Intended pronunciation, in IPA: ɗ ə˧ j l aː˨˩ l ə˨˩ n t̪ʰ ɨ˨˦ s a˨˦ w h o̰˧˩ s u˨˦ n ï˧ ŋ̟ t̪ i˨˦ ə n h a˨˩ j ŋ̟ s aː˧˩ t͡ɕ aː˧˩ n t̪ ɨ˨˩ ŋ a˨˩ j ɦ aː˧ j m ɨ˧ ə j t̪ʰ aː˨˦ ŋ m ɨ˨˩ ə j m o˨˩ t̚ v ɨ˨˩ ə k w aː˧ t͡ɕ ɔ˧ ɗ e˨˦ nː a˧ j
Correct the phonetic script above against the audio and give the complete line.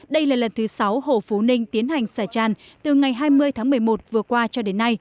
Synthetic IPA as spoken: ɗ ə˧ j l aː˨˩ l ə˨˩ n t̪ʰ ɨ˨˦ s a˨˦ w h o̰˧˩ f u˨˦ n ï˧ ŋ̟ t̪ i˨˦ ə n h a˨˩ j ŋ̟ s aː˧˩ t͡ɕ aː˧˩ n t̪ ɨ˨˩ ŋ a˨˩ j ɦ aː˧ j m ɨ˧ ə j t̪ʰ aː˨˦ ŋ m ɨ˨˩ ə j m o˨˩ t̚ v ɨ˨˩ ə k w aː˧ t͡ɕ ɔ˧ ɗ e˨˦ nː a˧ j

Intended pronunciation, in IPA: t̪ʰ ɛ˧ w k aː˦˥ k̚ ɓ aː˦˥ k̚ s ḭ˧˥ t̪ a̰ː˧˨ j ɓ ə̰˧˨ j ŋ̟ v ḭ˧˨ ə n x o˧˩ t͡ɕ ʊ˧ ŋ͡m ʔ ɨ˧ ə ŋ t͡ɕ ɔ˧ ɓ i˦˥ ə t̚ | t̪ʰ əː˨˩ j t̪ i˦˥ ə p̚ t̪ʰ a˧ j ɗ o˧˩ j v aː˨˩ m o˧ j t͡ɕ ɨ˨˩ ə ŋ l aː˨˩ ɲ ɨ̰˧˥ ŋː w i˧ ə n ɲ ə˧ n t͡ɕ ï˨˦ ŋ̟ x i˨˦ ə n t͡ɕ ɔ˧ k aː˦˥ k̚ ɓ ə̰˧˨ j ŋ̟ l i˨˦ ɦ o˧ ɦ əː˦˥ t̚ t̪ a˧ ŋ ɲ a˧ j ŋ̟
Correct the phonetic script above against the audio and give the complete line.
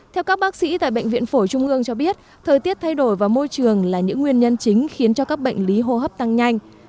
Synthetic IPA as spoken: t̪ʰ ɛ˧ w k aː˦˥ k̚ ɓ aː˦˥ k̚ s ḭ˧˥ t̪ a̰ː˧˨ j ɓ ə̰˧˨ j ŋ̟ v ḭ˧˨ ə n f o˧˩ t͡ɕ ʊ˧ ŋ͡m ʔ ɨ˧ ə ŋ t͡ɕ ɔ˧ ɓ i˦˥ ə t̚ | t̪ʰ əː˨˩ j t̪ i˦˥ ə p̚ t̪ʰ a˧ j ɗ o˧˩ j v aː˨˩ m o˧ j t͡ɕ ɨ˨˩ ə ŋ l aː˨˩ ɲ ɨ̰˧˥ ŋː w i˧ ə n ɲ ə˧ n t͡ɕ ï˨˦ ŋ̟ x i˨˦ ə n t͡ɕ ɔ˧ k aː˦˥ k̚ ɓ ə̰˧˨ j ŋ̟ l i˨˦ ɦ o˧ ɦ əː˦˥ p̚ t̪ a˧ ŋ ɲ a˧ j ŋ̟

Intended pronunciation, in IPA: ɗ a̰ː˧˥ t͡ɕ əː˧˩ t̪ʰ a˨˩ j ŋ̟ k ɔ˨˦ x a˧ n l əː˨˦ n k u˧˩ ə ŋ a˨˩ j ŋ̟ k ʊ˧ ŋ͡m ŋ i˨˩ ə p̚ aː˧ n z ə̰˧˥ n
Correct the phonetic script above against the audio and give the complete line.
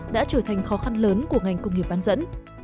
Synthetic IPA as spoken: ɗ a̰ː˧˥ t͡ɕ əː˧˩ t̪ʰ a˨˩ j ŋ̟ x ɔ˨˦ x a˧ n l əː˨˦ n k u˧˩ ə ŋ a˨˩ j ŋ̟ k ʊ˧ ŋ͡m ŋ i˨˩ ə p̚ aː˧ n z ə̰˧˥ n

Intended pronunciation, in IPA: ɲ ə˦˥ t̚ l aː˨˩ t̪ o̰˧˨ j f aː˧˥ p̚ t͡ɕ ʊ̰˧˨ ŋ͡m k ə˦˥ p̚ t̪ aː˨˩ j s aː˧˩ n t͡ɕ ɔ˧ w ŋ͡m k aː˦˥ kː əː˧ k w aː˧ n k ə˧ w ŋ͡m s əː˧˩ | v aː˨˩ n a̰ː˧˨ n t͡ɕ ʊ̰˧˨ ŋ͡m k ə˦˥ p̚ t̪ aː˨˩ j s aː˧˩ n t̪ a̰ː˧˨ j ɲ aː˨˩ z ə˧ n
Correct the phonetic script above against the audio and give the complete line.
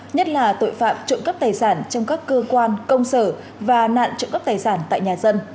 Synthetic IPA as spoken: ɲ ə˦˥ t̚ l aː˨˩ t̪ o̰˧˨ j f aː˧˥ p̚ t͡ɕ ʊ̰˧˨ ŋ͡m k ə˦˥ p̚ t̪ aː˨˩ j s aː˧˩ n t͡ɕ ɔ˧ w ŋ͡m k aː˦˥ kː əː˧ k w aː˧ n k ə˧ w ŋ͡m s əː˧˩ | v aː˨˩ n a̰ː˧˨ n t͡ɕ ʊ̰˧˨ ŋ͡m k ə˦˥ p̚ t̪ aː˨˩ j s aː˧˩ n t̪ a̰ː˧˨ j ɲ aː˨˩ z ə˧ n

